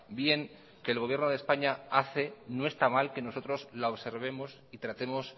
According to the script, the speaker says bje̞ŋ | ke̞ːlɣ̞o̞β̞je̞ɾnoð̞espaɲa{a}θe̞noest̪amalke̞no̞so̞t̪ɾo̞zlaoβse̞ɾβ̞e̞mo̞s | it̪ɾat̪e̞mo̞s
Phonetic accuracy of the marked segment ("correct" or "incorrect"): correct